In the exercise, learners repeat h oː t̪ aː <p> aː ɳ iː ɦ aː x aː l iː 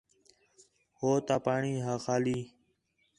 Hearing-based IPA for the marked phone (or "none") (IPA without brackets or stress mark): p